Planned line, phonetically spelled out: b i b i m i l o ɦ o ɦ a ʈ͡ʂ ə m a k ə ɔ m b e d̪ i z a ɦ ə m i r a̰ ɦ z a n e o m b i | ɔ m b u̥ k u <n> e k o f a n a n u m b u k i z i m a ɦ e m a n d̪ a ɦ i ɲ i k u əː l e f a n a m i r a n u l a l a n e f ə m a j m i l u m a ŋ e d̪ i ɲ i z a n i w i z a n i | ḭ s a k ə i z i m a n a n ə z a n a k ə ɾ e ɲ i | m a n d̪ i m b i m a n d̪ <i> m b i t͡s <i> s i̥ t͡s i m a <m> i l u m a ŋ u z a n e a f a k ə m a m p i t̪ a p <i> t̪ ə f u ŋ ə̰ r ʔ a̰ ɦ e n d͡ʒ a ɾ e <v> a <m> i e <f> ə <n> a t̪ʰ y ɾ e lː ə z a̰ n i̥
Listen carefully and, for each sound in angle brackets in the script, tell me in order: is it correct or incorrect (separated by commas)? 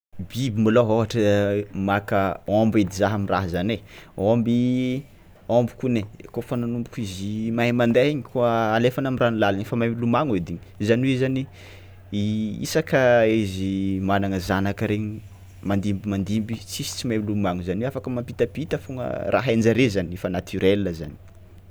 correct, correct, correct, correct, correct, incorrect, incorrect, correct, correct